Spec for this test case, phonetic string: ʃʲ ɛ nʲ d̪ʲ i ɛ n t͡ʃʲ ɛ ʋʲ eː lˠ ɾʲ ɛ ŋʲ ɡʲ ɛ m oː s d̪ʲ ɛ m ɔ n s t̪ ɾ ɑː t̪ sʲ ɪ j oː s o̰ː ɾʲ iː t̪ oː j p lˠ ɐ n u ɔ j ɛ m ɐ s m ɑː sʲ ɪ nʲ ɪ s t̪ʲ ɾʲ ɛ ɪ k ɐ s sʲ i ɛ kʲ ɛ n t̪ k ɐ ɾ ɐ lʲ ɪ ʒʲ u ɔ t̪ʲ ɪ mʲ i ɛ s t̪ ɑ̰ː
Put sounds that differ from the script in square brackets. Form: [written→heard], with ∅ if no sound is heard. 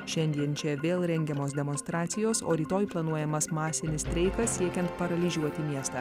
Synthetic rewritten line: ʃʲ ɛ nʲ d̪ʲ i ɛ n t͡ʃʲ ɛ ʋʲ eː lˠ ɾʲ ɛ ŋʲ ɡʲ ɛ m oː s d̪ʲ ɛ m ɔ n s t̪ ɾ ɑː t̪ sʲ ɪ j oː s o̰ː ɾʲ iː t̪ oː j p lˠ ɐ n u ɔ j ɛ m ɐ s m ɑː sʲ ɪ nʲ ɪ s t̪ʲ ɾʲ ɛ ɪ k ɐ s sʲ i ɛ kʲ ɛ n t̪ [k→p] ɐ ɾ ɐ lʲ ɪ ʒʲ u ɔ t̪ʲ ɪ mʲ i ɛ s t̪ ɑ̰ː